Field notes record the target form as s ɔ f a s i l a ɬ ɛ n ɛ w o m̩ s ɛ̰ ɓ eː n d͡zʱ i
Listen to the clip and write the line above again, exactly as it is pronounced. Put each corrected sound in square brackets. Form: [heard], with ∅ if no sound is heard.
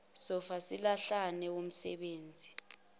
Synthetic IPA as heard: s ɔ f a s i l a ɬ [a] n ɛ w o m̩ s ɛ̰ ɓ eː n d͡zʱ i